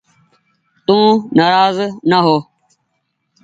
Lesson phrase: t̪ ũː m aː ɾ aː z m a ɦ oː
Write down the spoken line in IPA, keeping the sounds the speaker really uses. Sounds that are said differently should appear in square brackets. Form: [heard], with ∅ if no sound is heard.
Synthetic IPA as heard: t̪ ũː [n] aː ɾ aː z [n] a ɦ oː